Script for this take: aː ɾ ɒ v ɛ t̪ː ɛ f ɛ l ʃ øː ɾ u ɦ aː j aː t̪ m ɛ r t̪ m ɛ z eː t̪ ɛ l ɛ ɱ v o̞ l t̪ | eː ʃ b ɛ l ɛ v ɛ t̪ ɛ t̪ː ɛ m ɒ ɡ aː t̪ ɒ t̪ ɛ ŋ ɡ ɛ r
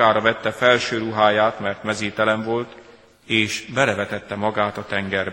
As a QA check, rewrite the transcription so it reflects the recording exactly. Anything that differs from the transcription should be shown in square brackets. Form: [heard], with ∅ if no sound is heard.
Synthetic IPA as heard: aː ɾ ɒ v ɛ t̪ː ɛ f ɛ l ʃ øː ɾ u ɦ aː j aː t̪ m ɛ r t̪ m ɛ z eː t̪ ɛ l ɛ ɱ v o̞ l t̪ | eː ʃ b ɛ l ɛ v ɛ t̪ ɛ t̪ː ɛ m ɒ ɡ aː t̪ ɒ t̪ ɛ ŋ ɡ ɛ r